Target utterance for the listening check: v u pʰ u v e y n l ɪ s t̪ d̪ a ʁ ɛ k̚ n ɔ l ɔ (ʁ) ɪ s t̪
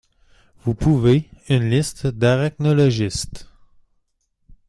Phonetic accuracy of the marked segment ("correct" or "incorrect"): incorrect